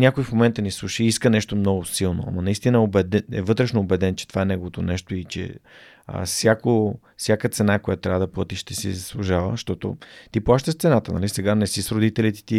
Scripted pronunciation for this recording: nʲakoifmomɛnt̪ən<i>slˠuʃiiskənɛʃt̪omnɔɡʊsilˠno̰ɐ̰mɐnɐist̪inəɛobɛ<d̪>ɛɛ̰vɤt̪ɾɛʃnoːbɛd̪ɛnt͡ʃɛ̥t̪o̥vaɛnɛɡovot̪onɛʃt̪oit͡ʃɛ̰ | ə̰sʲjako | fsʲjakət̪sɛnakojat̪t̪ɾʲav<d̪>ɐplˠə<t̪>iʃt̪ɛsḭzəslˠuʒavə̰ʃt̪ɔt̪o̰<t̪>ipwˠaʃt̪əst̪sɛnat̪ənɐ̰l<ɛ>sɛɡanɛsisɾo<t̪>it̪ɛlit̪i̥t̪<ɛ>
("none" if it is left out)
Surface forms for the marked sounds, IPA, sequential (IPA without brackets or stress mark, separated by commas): i, d̪, d̪, t̪, t̪, i, d̪, i